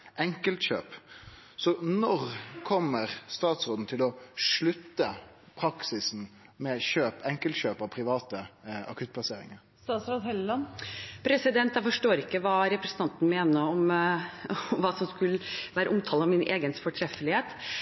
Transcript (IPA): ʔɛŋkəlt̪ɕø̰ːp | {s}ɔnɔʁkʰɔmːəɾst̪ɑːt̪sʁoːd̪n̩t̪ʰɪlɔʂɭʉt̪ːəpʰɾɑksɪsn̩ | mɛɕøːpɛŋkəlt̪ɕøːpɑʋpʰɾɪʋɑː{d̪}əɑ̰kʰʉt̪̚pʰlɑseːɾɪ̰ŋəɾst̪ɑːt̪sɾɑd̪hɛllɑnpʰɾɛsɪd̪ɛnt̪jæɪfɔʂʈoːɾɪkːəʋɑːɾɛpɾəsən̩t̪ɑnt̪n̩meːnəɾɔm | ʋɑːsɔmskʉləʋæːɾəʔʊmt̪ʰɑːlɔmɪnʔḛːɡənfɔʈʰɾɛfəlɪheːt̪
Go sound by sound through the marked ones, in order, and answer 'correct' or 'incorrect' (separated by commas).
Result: correct, incorrect